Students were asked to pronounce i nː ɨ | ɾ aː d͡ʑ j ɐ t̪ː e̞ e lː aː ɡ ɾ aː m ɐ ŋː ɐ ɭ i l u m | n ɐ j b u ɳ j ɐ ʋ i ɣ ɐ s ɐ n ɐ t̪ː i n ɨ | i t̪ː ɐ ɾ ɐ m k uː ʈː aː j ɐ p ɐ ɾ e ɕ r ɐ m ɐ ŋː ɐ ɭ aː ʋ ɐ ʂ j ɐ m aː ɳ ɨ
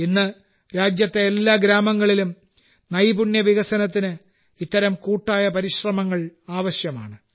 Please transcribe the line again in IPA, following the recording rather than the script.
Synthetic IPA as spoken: i nː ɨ | ɾ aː d͡ʑ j ɐ t̪ː e̞ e lː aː ɡ ɾ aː m ɐ ŋː ɐ ɭ i l u m | n ɐ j b u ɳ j ɐ ʋ i ɣ ɐ s ɐ n ɐ t̪ː i n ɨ | i t̪ː ɐ ɾ ɐ m k uː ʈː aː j ɐ p ɐ ɾ i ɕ r ɐ m ɐ ŋː ɐ ɭ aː ʋ ɐ ɕ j ɐ m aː ɳ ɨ

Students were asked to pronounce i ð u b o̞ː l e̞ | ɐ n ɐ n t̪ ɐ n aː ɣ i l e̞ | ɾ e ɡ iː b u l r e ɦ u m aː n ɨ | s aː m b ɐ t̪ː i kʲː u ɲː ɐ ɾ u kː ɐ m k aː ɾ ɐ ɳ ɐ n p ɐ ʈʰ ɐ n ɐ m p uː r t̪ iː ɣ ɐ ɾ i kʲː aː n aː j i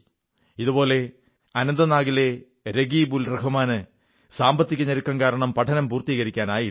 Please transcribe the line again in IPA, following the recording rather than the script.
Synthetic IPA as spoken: i ð u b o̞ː l e̞ | ɐ n ɐ n d̪ ɐ n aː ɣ i l e̞ | ɾ e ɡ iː b u l r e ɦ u m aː n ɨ | s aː m b ɐ t̪ː i kʲː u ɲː ɐ ɾ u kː ɐ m k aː ɾ ɐ ɳ ɐ m p ɐ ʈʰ ɐ n ɐ m p uː r t̪ iː ɣ ɐ ɾ i kʲː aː n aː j i

